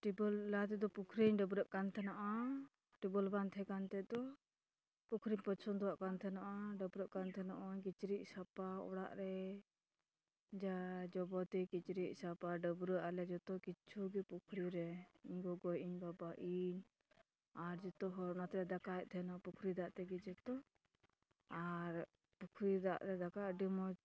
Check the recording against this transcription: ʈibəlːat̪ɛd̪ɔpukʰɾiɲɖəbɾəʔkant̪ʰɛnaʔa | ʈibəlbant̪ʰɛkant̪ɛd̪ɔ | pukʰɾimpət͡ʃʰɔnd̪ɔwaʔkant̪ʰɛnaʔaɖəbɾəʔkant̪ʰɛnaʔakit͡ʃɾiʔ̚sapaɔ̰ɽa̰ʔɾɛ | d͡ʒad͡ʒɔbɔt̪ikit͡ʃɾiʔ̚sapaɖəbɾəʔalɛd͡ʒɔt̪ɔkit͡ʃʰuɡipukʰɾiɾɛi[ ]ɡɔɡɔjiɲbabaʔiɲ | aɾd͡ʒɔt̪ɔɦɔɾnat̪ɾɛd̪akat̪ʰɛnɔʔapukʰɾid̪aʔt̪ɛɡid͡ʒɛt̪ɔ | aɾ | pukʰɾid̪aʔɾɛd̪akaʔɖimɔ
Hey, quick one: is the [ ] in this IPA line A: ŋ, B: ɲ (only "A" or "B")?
B